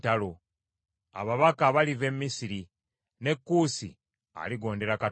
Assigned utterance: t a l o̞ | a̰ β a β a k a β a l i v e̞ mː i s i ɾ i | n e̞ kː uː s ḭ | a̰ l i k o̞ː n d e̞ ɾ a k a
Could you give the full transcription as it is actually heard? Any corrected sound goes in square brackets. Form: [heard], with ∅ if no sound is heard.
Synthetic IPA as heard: t a l o̞ | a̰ β a β a k a β a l i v e̞ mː i s i ɾ i | n e̞ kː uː s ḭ | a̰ l i [ɡ] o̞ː n d e̞ ɾ a k a

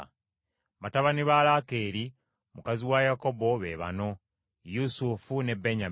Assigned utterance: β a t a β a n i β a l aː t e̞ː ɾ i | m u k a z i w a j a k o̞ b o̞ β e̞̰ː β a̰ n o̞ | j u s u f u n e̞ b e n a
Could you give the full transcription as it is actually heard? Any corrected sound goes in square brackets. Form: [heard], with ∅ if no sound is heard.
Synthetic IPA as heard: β a t a β a n i β a l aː [k] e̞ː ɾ i | m u k a z i w a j a k o̞ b o̞ β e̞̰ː β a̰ n o̞ | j u s u f u n e̞ b e [ɲ] a

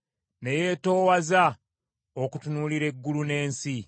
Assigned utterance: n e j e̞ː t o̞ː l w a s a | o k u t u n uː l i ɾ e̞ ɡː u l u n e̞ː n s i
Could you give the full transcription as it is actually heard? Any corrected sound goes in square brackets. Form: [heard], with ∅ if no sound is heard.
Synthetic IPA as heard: n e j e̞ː t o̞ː [∅] w a [z] a | o k u t u n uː l i ɾ e̞ ɡː u l u n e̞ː n s i

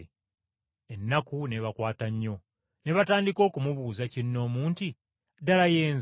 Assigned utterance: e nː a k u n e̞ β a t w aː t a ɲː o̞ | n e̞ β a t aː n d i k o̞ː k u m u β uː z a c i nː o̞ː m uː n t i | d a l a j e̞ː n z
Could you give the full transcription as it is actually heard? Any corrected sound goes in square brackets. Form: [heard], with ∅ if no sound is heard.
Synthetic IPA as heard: e nː a k u n e̞ β a [k] w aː t a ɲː o̞ | n e̞ β a t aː n d i k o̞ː k u m u β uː z a c i nː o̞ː m uː n t i | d a l a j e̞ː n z

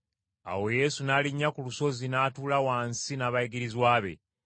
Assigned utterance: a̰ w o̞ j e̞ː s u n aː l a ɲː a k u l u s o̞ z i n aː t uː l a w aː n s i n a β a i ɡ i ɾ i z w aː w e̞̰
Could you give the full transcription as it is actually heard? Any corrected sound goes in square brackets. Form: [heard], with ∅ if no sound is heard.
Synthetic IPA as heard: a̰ w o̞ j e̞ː s u n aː l [i] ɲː a k u l u s o̞ z i n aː t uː l a w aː n s i n a β a i ɡ i ɾ i z w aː [β] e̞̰

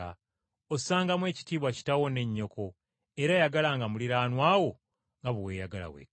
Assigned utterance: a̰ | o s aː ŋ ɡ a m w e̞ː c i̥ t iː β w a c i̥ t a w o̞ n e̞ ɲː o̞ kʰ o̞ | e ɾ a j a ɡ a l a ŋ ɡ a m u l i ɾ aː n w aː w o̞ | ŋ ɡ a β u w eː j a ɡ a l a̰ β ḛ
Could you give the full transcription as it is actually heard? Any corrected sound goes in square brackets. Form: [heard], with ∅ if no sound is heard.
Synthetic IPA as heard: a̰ | o s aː ŋ ɡ a m w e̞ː c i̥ t iː β w a c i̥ t a w o̞ n e̞ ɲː o̞ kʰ o̞ | e ɾ a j a ɡ a l a ŋ ɡ a m u l i ɾ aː n w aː w o̞ | ŋ ɡ a β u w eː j a ɡ a l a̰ [w] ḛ

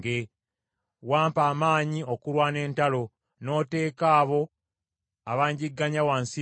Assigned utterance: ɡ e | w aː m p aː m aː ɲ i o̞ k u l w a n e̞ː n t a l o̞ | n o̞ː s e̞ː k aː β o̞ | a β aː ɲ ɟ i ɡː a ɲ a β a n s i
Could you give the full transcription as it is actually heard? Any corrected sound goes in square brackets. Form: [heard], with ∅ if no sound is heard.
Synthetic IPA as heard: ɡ e | w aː m p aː m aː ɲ i o̞ k u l w a n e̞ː n t a l o̞ | n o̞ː [t] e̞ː k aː β o̞ | a β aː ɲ ɟ i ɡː a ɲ a [w] a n s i

